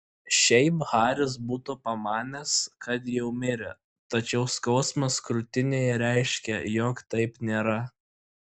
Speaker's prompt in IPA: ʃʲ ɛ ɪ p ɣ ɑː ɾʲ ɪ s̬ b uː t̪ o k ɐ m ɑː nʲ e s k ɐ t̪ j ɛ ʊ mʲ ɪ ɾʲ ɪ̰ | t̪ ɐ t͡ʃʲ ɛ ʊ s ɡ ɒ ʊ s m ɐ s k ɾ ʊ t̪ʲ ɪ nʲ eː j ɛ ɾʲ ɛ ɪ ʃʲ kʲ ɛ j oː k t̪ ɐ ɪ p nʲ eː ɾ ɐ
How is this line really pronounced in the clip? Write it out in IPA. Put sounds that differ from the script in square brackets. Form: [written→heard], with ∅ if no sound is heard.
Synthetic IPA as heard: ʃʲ ɛ ɪ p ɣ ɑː ɾʲ ɪ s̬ b uː t̪ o [k→p] ɐ m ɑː nʲ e s k ɐ t̪ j ɛ ʊ mʲ ɪ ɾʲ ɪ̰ | t̪ ɐ t͡ʃʲ ɛ ʊ s [ɡ→k] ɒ ʊ s m ɐ s k ɾ ʊ t̪ʲ ɪ nʲ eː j ɛ ɾʲ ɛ ɪ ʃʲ kʲ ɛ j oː k t̪ ɐ ɪ p nʲ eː ɾ ɐ